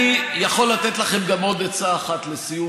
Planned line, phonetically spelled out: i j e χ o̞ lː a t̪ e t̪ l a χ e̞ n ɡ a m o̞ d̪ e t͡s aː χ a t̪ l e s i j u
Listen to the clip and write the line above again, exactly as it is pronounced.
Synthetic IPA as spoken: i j a χ o̞ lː a t̪ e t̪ l a χ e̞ m ɡ a m o̞ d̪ e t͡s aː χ a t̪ l e s i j u

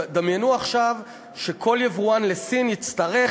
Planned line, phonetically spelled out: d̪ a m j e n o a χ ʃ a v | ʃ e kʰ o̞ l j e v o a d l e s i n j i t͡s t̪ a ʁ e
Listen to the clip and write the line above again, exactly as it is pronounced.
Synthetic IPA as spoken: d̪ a m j e n u a χ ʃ a v | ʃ e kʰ o̞ l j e v u a n l e s i n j i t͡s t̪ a ʁ e

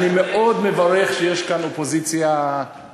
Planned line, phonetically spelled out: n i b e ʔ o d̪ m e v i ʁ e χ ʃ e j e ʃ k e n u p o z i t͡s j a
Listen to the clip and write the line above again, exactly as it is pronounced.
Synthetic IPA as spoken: n i m e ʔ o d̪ m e v a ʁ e χ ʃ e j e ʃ k a n o p o z i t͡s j a

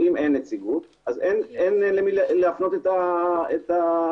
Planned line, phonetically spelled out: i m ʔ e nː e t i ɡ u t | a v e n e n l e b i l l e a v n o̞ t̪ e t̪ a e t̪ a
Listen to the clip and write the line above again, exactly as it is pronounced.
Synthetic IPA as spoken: i m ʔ e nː e t͡s i ɡ u t | a z e n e n l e m i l l e a f n o̞ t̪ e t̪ a e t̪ a

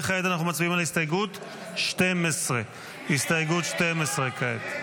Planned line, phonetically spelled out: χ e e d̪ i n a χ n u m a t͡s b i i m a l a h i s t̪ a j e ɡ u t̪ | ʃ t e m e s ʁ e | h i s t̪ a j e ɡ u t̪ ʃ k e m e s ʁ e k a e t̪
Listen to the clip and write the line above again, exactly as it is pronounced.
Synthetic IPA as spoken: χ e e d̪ a n a χ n u m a t͡s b i i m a l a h i s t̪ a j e ɡ u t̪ | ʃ t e m e s ʁ e | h i s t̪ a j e ɡ u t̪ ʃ t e m e s ʁ e k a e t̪

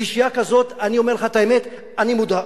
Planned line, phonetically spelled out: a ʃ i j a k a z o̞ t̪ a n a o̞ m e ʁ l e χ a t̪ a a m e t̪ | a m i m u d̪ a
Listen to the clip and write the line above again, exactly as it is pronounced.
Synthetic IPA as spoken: i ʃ i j a k a z o̞ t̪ a n i o̞ m e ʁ l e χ a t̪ a e m e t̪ | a n i m u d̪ a

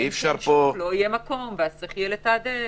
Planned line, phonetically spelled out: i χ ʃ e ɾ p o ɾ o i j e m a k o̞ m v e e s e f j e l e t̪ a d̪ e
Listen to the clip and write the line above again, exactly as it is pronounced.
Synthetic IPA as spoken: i f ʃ a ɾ p o l o i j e m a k o̞ m v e a s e χ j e l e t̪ a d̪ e

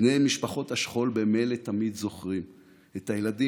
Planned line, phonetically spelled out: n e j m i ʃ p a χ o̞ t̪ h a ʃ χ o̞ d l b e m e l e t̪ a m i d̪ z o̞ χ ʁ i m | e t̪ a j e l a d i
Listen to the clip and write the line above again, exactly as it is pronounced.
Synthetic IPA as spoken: n e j m i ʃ p a χ o̞ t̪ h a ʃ χ o̞ l b e m e l e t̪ a m i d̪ z o̞ χ ʁ i m | e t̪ a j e l a d i

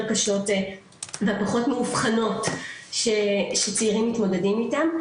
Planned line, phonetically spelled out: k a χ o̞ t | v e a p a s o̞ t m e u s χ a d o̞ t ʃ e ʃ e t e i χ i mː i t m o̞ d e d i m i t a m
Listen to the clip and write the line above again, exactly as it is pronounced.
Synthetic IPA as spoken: k a ʃ o̞ t | v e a p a χ o̞ t m e u f χ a n o̞ t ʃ e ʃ e t͡s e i ʁ i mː i t m o̞ d e d i m i t a m

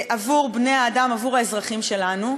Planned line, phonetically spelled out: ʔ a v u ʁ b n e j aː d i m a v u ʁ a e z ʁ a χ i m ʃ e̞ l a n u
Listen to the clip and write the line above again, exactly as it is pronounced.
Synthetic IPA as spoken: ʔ a v u ʁ b n e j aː d a m a v u ʁ a e z ʁ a χ i m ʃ e̞ l a n u

